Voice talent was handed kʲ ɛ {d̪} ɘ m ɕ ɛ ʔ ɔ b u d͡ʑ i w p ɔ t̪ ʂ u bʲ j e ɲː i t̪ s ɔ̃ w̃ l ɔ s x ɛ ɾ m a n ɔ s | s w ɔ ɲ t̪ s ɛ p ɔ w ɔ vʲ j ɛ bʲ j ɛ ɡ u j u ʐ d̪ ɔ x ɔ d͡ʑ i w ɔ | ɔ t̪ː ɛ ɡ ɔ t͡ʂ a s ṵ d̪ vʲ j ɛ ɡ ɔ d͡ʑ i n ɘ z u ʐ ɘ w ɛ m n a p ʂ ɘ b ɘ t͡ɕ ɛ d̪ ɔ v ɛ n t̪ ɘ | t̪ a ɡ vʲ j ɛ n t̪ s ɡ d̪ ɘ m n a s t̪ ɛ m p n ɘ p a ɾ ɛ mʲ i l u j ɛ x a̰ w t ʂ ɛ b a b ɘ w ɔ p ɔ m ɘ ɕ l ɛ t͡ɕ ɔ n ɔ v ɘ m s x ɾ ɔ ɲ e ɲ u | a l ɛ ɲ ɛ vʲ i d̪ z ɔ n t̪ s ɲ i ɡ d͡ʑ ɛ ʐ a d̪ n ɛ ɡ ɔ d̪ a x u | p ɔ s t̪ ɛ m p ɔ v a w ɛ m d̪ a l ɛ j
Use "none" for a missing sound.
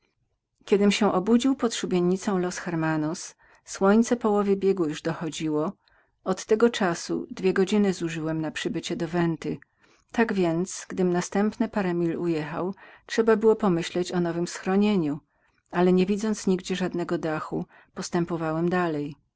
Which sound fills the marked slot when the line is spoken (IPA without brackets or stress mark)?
d̪